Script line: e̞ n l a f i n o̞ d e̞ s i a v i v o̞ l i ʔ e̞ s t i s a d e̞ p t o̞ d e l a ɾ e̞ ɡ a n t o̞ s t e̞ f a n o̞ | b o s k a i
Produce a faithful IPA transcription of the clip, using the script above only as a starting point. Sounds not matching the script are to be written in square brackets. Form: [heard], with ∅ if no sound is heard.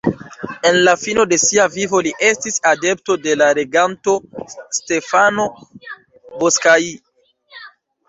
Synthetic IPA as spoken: e̞ n l a f i n o̞ d e̞ s i a v i v o̞ l i ʔ e̞ s t i s a d e̞ p t o̞ d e l a ɾ e̞ ɡ a n t o̞ s t e̞ f a n o̞ | b o s k a i